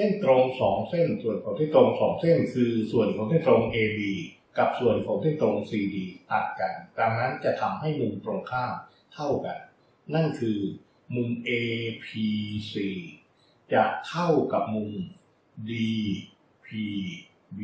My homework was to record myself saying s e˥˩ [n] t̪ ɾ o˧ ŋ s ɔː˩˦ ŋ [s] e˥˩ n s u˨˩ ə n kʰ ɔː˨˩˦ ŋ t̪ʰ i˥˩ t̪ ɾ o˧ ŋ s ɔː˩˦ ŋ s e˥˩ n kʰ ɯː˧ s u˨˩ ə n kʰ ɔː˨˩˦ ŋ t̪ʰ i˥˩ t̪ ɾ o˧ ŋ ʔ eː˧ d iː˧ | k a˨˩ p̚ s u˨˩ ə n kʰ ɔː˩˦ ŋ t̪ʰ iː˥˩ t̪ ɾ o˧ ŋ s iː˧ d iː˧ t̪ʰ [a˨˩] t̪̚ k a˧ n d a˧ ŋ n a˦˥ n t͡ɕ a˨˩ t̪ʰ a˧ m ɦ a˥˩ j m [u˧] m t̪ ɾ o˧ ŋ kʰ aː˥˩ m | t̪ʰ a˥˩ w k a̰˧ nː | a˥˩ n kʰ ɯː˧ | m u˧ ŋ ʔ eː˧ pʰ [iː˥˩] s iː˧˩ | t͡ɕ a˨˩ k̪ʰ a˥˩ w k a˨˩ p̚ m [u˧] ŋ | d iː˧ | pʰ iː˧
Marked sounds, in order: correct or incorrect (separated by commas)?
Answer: correct, correct, correct, correct, incorrect, correct